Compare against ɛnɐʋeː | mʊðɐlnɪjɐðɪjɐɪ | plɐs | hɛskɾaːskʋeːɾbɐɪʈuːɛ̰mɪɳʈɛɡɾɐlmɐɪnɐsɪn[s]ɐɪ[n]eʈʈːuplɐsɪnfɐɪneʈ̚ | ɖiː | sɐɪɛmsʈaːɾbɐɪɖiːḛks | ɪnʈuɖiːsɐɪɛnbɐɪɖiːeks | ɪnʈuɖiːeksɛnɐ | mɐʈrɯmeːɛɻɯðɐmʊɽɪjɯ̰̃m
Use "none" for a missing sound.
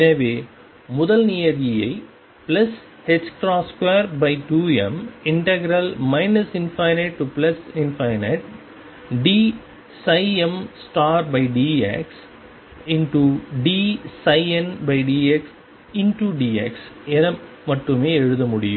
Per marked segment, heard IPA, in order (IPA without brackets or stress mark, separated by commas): f, n